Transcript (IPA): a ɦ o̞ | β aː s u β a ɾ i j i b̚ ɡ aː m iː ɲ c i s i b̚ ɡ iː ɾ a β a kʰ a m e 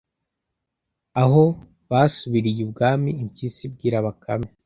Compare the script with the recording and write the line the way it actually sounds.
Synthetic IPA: a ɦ o̞ | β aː s u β i ɾ i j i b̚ ɡ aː m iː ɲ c i s i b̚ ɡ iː ɾ a β a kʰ a m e